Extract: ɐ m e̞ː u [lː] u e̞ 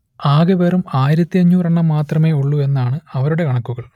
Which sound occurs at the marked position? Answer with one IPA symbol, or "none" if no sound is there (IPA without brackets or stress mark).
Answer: ɭː